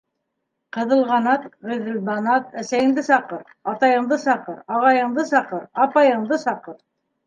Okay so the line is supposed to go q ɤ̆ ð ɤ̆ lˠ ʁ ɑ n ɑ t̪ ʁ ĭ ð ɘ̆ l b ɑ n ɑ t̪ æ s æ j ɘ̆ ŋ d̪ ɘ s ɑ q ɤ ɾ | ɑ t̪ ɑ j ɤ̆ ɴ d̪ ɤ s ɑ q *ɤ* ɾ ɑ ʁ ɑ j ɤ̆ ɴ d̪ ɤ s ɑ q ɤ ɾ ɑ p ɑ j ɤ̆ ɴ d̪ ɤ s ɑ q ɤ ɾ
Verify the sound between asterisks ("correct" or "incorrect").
correct